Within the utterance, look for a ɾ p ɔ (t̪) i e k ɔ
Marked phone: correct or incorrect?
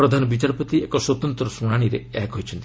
correct